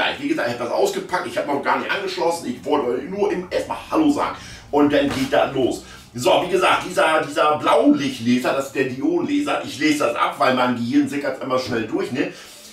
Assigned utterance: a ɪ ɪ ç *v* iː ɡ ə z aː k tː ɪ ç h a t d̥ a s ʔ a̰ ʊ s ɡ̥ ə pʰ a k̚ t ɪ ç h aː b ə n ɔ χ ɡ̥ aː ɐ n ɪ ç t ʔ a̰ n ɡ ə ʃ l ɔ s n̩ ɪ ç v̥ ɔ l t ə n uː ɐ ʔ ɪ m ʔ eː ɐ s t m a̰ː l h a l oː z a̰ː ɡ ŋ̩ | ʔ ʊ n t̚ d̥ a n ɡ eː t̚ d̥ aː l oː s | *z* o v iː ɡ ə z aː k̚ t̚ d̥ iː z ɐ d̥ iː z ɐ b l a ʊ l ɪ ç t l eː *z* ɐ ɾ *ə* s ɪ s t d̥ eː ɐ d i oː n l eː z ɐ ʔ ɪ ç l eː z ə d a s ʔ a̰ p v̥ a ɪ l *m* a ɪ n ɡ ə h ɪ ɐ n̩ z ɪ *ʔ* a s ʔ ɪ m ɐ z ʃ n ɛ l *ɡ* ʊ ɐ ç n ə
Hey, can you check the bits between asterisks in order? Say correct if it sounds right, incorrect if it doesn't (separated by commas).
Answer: correct, correct, correct, incorrect, correct, incorrect, incorrect